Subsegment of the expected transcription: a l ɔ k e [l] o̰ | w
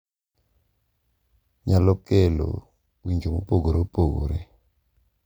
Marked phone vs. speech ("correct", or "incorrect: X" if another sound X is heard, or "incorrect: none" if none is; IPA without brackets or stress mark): correct